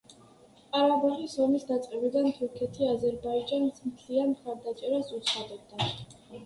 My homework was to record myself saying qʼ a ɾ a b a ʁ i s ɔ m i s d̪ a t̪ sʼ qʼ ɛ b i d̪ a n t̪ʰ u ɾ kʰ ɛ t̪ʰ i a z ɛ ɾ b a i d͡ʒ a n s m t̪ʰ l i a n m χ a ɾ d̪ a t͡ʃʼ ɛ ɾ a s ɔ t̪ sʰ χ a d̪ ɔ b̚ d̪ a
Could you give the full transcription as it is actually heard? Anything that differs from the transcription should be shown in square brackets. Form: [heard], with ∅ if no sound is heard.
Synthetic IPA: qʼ a ɾ a b a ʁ i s ɔ m i s d̪ a t̪ sʼ qʼ ɛ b i d̪ a n t̪ʰ u ɾ kʰ ɛ t̪ʰ i a z ɛ ɾ b a i d͡ʒ a n s m t̪ʰ l i a n m χ a ɾ d̪ a t͡ʃʼ ɛ ɾ a s [u] t̪ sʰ χ a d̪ ɔ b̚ d̪ a